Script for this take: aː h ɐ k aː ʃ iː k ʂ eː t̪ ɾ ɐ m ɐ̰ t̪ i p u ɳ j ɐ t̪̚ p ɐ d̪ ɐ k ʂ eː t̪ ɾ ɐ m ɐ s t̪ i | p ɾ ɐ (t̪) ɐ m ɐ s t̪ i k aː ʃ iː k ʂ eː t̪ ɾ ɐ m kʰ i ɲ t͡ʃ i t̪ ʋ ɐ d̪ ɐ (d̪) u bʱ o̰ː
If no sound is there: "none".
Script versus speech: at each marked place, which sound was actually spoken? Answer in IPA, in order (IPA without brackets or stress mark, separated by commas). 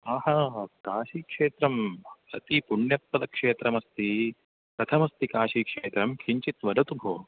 t̪ʰ, t̪